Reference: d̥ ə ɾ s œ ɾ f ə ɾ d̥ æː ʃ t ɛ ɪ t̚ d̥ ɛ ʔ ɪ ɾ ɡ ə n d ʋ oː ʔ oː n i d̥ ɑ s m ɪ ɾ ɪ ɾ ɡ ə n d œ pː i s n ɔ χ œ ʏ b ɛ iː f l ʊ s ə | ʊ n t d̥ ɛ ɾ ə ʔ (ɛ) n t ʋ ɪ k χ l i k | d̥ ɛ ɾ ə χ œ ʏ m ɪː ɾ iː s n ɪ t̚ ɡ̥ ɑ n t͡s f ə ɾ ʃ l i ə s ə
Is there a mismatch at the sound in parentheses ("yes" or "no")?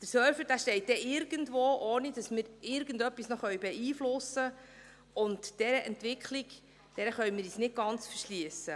no